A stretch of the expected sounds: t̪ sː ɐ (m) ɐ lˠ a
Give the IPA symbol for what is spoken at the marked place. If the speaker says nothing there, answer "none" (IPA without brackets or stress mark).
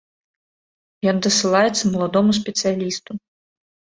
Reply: m